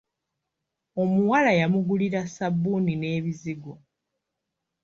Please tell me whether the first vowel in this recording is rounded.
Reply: yes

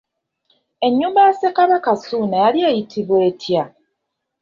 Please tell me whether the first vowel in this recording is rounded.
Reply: no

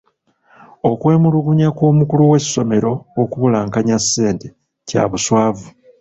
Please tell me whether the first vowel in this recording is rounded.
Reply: yes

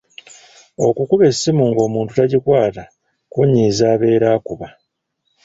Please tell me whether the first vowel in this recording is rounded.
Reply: yes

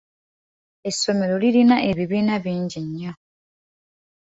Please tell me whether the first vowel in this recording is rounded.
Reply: no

